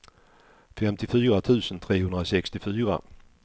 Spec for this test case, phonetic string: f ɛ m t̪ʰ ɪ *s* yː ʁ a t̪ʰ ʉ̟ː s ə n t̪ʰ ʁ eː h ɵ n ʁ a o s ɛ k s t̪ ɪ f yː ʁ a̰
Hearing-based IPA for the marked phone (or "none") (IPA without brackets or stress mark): f